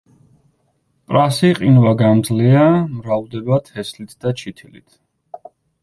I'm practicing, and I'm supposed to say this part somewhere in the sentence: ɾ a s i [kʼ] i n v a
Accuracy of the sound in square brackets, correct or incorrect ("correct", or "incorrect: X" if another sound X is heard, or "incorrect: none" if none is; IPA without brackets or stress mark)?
incorrect: qʼ